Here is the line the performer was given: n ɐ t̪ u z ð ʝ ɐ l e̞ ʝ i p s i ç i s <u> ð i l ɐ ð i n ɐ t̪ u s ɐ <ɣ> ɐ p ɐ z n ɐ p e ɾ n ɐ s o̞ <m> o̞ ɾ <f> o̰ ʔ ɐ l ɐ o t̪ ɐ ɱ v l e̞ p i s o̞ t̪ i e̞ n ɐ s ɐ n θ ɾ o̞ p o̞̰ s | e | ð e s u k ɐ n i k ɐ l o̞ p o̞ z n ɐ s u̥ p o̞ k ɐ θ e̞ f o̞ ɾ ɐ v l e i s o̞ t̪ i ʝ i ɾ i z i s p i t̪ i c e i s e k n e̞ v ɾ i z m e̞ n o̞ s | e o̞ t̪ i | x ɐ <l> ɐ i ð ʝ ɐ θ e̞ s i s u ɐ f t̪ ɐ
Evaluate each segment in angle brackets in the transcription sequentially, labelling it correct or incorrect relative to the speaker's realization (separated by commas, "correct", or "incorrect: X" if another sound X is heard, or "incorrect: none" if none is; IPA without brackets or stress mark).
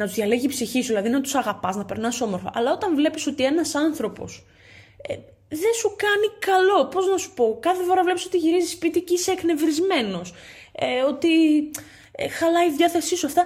correct, correct, correct, correct, correct